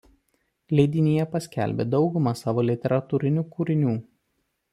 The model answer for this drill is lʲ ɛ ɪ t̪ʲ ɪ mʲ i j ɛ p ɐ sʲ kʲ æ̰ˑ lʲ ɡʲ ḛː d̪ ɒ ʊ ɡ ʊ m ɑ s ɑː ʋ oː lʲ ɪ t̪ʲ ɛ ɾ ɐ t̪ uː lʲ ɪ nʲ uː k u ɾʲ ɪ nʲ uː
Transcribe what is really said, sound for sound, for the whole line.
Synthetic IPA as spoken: lʲ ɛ ɪ d̪ʲ ɪ nʲ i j ɛ p ɐ sʲ kʲ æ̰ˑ lʲ bʲ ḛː d̪ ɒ ʊ ɡ ʊ m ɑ s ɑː ʋ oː lʲ ɪ t̪ʲ ɛ ɾ ɐ t̪ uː ɾʲ ɪ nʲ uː k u ɾʲ ɪ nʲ uː